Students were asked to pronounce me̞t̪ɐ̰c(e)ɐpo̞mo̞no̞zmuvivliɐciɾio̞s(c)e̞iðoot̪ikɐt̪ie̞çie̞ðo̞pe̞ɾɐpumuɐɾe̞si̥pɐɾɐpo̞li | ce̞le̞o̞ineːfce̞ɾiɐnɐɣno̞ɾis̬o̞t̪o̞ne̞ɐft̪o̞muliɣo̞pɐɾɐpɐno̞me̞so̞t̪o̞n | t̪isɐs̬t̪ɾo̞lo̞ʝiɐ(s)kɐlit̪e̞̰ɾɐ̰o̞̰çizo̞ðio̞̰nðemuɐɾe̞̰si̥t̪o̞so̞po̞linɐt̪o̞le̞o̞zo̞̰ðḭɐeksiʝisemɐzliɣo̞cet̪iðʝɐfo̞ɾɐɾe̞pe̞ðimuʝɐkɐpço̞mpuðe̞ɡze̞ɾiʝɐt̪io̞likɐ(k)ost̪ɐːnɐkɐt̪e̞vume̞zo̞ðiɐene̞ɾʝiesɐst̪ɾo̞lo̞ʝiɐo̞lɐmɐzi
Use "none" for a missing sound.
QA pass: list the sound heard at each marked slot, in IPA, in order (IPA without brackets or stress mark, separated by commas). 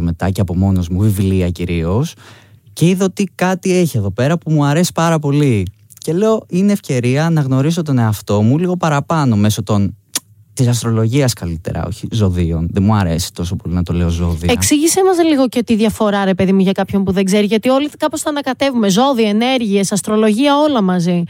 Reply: e, c, s, p